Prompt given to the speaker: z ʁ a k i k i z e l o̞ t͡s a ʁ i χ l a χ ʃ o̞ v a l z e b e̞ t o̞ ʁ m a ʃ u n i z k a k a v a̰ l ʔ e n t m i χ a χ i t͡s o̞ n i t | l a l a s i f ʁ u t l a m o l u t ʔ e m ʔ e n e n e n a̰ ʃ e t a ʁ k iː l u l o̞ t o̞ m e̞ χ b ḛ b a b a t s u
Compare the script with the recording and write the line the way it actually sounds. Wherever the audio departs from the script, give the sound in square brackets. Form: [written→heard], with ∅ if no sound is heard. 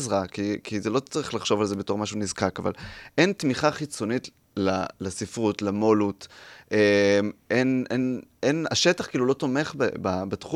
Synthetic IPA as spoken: z ʁ a k i k i z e l o̞ t͡s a ʁ i χ l a χ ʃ o̞ v a l z e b e̞ t o̞ ʁ m a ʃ u n i z k a k a v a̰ l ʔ e n t m i χ a χ i t͡s o̞ n i t | l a l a s i f ʁ u t l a m o l u t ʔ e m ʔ e n e n e n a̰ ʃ e t a [ʁ→χ] k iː l u l o̞ t o̞ m e̞ χ b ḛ b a b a t [s→χ] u